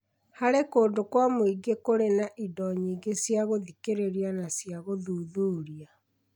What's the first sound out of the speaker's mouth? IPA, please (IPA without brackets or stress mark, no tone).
h